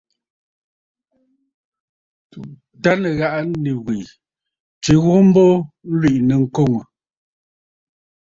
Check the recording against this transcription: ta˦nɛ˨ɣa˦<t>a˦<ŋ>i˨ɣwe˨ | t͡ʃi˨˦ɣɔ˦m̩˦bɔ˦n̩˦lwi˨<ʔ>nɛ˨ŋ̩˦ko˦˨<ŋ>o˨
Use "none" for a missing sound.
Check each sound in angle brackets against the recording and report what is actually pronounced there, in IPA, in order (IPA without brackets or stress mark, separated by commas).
ʔ, n, ʔ, ŋ